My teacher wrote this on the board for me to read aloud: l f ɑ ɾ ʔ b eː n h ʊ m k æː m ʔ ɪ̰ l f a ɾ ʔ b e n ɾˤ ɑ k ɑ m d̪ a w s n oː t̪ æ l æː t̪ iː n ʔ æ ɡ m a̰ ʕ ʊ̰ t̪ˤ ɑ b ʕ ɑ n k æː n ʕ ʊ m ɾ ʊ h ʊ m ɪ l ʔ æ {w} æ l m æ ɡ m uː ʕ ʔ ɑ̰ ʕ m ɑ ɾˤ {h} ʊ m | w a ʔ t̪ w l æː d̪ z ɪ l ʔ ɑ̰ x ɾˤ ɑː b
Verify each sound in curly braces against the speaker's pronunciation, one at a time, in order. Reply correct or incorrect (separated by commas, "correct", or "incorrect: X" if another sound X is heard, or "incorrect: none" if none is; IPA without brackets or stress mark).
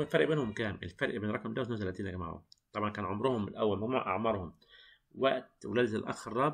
incorrect: wː, correct